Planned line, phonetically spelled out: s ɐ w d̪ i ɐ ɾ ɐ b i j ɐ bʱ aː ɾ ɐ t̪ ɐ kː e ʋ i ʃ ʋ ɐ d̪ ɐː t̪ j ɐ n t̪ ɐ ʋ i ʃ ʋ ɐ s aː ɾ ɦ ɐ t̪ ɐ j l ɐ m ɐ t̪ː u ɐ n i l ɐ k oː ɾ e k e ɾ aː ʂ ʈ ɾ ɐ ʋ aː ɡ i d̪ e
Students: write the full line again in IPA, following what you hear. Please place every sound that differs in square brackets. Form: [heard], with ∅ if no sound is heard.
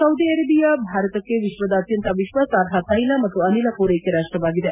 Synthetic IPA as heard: s ɐ w d̪ i ɐ ɾ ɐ b i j ɐ bʱ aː ɾ ɐ t̪ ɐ kː e ʋ i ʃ ʋ ɐ d̪ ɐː t̪ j ɐ n t̪ ɐ ʋ i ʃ ʋ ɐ s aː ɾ ɦ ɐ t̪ ɐ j l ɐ m ɐ t̪ː u ɐ n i l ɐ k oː ɾ e k e ɾ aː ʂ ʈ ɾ ɐ ʋ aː ɡ i d̪ e